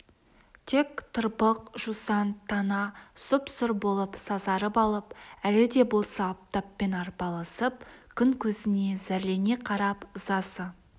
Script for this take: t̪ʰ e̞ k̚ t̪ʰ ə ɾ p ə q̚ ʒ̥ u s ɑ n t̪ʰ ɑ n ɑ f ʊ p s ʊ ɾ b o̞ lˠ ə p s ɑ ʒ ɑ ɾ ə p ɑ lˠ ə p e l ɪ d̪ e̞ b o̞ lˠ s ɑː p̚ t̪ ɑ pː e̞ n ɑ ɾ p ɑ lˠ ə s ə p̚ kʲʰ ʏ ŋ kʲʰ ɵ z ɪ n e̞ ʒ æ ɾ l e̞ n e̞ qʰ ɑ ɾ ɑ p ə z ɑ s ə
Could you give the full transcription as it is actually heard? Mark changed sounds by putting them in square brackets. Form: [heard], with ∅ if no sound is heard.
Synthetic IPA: t̪ʰ e̞ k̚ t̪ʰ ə ɾ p ə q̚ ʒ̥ u s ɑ n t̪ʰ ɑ n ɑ [s] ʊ p s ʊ ɾ b o̞ lˠ ə p s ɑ [z] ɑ ɾ ə p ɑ lˠ ə p [æ] l ɪ d̪ e̞ b o̞ lˠ s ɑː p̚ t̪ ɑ pː e̞ n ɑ ɾ p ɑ lˠ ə s ə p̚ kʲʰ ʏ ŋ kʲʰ ɵ z ɪ n e̞ [z] æ ɾ l e̞ n e̞ qʰ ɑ ɾ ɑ p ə z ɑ s ə